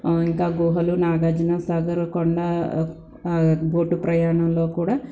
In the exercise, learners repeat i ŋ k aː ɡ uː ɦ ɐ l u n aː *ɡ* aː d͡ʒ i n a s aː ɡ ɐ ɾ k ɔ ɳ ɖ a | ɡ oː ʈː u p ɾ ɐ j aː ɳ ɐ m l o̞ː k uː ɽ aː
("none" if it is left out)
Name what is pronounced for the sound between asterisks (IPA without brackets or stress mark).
ɡ